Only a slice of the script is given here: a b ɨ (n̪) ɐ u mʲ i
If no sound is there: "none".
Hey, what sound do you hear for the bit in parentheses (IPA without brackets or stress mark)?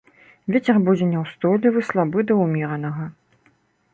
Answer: d̪